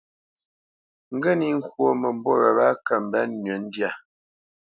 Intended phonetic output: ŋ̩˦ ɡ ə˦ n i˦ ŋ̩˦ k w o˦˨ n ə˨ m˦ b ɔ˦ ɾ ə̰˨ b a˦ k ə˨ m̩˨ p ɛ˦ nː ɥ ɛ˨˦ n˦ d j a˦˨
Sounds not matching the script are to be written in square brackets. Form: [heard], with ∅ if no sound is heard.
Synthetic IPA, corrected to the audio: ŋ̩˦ ɡ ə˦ n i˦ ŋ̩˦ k w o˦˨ [m] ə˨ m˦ b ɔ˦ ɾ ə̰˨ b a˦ k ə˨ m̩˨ [b] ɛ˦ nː ɥ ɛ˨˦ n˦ d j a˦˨